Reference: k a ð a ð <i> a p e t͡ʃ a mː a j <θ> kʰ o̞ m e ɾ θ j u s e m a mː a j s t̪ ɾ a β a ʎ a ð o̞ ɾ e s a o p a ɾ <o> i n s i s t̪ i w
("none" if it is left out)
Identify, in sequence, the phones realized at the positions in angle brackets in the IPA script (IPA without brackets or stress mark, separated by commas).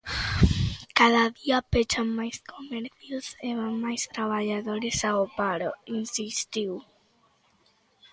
i, s, o